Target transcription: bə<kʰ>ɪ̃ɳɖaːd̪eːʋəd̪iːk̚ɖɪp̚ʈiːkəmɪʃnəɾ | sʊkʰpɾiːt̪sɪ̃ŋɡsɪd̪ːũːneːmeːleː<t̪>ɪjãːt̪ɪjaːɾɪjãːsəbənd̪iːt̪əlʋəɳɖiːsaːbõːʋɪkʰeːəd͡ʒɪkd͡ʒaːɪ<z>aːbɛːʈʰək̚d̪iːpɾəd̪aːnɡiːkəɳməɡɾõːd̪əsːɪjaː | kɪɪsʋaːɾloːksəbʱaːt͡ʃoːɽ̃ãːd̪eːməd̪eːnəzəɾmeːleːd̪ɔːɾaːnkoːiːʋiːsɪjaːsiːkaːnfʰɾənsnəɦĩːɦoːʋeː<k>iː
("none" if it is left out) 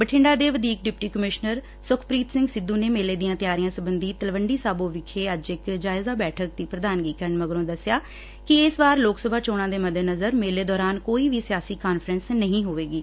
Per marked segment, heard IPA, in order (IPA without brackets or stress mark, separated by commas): ʈʰ, d̪, z, ɡ